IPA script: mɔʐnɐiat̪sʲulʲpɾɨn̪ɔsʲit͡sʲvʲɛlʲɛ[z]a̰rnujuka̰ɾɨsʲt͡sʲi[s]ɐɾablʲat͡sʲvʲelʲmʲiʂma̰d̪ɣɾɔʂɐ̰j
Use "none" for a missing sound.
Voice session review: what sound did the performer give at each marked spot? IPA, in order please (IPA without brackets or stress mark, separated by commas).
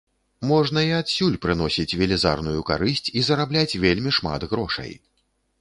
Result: z, z